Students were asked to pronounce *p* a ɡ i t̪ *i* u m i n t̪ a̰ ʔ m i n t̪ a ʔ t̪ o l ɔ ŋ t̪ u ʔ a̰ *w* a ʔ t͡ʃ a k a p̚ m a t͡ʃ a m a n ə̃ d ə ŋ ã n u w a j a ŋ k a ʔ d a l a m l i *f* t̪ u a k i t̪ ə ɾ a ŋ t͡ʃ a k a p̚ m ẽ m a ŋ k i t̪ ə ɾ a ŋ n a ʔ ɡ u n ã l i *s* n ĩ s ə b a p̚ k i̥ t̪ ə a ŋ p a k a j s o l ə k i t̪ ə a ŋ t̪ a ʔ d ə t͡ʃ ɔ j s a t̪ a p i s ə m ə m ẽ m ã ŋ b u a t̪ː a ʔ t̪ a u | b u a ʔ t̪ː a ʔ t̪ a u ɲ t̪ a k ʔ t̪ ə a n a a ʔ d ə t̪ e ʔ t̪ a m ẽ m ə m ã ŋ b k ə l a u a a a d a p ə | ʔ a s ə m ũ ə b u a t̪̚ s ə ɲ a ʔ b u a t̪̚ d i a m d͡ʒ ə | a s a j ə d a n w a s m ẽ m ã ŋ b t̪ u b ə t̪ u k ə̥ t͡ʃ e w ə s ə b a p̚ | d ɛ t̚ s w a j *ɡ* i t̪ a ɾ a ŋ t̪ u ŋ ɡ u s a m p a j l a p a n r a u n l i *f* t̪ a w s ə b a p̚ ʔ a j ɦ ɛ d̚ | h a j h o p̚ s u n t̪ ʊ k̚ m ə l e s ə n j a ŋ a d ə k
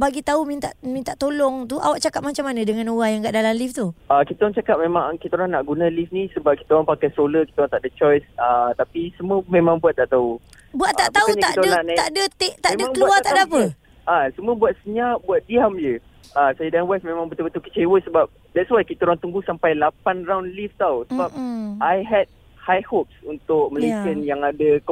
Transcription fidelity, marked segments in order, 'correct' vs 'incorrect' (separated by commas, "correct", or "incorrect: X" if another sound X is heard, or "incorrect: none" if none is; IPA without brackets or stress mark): incorrect: b, incorrect: a, correct, correct, incorrect: f, incorrect: k, correct